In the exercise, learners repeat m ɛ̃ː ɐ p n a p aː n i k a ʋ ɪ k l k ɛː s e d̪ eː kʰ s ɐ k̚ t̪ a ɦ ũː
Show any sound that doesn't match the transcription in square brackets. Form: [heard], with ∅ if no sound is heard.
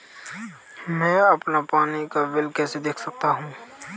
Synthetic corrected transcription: m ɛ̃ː ɐ p n a p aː n i k a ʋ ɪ [∅] l k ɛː s e d̪ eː kʰ s ɐ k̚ t̪ a ɦ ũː